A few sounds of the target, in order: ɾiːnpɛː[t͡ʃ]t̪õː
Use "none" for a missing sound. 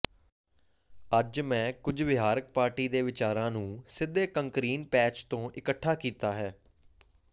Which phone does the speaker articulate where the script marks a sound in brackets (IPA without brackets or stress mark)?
t͡ʃ